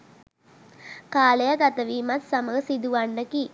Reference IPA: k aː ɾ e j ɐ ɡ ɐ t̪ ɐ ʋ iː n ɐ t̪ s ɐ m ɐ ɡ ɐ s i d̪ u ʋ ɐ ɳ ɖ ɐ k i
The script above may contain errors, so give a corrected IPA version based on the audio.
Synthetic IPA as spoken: k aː l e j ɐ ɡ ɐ t̪ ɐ ʋ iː m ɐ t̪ s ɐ m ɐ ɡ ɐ s i d̪ u ʋ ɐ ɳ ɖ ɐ k i